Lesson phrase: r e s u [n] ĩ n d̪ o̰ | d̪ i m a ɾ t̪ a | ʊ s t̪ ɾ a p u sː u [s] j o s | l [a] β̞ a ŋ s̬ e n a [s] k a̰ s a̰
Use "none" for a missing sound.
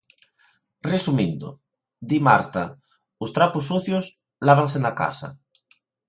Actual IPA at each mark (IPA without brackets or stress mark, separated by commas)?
m, θ, a, none